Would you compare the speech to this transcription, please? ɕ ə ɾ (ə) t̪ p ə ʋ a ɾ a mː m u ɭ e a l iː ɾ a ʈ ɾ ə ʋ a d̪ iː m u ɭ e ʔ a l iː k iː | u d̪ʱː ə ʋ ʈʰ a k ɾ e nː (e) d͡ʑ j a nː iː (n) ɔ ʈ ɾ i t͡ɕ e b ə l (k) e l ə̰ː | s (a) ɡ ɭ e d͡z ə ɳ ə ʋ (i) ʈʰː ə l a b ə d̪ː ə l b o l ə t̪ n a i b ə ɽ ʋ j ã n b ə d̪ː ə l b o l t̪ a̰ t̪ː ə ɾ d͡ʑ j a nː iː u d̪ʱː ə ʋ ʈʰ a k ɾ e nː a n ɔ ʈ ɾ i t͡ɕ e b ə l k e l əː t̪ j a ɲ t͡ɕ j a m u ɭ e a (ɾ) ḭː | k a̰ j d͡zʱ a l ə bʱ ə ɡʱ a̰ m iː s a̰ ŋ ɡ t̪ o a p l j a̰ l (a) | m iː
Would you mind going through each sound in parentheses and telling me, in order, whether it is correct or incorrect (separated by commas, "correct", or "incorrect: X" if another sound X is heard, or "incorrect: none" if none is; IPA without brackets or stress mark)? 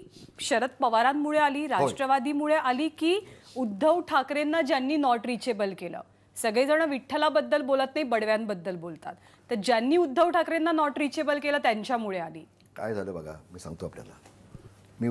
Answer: correct, incorrect: a, correct, correct, incorrect: ə, correct, incorrect: l, correct